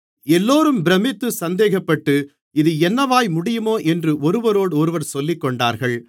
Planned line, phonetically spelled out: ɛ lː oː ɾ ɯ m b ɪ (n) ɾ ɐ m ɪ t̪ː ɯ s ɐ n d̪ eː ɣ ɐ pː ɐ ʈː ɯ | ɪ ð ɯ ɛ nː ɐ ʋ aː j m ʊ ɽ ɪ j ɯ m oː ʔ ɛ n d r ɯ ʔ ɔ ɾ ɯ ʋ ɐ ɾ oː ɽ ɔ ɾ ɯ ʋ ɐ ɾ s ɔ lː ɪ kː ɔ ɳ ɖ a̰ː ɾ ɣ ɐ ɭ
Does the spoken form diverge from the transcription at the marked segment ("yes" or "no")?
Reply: yes